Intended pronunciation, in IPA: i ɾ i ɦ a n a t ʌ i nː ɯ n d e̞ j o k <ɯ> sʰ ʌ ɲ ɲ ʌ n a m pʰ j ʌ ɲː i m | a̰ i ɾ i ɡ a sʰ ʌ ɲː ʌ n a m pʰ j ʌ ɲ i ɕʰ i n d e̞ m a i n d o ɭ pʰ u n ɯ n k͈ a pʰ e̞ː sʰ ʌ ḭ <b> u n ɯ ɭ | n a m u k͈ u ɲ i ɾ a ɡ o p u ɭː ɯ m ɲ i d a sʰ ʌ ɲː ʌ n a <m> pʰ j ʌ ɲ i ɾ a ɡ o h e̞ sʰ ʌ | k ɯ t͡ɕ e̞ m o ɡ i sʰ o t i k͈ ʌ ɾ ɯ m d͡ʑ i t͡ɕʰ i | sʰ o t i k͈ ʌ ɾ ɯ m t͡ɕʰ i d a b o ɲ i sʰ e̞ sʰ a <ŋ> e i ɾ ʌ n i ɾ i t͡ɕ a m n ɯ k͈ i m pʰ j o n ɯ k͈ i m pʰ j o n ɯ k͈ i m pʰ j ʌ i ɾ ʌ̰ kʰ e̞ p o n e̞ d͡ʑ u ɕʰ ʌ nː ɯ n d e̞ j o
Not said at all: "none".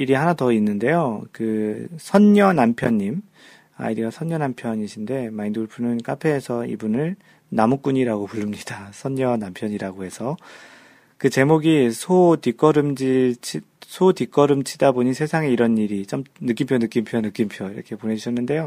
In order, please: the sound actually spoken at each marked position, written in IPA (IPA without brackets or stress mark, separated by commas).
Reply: ɯ, b, m, ŋ